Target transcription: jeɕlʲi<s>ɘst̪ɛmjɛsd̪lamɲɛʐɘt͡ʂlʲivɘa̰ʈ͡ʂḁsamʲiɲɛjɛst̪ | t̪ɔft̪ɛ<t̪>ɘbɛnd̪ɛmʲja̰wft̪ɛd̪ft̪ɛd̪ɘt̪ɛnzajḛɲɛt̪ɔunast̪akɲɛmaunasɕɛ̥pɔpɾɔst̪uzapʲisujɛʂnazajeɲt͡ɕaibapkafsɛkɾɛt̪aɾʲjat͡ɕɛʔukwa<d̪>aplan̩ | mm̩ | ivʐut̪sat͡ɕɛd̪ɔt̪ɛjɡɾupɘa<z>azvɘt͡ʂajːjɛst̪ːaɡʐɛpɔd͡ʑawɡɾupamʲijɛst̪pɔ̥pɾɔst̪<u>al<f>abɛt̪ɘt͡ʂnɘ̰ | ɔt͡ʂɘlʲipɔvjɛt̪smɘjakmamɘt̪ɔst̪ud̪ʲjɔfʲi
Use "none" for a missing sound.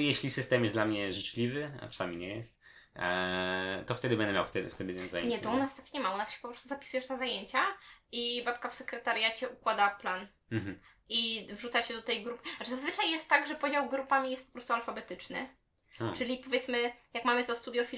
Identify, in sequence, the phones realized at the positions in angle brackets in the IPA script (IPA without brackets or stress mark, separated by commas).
s, d̪, d̪, z, u, f